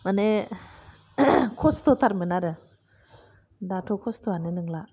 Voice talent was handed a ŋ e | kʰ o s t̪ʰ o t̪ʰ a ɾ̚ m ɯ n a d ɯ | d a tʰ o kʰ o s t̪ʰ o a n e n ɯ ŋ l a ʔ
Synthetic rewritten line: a n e | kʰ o s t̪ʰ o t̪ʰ a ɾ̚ m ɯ n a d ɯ | d a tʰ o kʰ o s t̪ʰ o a n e n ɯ ŋ l a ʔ